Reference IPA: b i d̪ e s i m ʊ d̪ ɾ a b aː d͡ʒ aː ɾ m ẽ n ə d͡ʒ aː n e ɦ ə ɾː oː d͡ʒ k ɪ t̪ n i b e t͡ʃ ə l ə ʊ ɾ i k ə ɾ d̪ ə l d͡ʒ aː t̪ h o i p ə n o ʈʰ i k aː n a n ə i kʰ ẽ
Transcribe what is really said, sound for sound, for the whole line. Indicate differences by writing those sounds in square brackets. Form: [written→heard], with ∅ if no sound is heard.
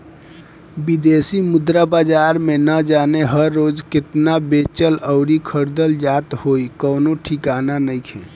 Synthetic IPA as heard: b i d̪ e s i m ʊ d̪ ɾ a b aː d͡ʒ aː ɾ m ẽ n ə d͡ʒ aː n e ɦ ə ɾː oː d͡ʒ k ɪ t̪ n [i→a] b e t͡ʃ ə l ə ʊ ɾ i [k→kʰ] ə ɾ d̪ ə l d͡ʒ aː t̪ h o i [p→k] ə n o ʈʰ i k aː n a n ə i kʰ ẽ